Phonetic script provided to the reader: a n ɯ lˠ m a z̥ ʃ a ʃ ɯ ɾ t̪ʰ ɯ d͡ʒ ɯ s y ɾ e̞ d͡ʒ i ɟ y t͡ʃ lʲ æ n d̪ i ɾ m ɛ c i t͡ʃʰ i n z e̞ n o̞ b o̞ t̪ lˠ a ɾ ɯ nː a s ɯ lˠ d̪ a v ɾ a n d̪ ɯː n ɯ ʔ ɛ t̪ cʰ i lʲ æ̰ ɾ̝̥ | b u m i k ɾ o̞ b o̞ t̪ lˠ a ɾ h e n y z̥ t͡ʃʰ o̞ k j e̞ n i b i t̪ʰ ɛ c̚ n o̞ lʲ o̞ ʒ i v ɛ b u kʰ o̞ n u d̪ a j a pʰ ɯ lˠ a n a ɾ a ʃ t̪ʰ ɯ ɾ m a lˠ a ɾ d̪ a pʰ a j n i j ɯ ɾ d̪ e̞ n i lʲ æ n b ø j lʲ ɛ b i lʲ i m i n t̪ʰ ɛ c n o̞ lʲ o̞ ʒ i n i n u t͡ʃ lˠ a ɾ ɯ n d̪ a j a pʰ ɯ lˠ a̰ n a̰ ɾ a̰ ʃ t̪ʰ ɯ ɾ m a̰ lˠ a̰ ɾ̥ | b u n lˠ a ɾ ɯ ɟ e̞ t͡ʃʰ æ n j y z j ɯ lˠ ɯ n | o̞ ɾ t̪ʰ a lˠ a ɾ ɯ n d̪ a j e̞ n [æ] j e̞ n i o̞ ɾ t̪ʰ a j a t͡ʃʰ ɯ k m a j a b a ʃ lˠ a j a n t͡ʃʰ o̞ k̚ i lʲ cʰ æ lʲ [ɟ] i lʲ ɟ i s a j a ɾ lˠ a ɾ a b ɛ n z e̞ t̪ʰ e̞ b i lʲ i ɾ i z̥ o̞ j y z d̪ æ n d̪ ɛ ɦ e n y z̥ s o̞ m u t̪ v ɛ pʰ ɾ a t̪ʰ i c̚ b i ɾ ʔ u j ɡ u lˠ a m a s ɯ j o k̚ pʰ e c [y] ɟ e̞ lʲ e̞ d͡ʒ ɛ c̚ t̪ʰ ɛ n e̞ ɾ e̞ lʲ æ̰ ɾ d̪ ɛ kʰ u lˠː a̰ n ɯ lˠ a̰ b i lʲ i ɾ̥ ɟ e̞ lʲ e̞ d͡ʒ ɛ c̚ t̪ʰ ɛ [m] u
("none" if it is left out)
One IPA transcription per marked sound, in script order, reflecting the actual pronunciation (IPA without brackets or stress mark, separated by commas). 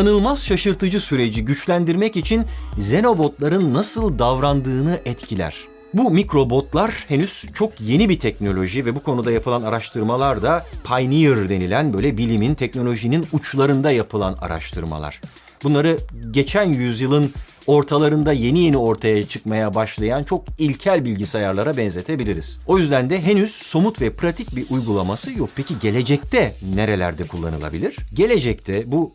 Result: i, b, i, b